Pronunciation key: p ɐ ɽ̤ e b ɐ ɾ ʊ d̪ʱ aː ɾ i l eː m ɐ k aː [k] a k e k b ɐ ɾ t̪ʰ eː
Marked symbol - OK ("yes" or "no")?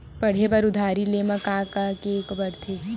yes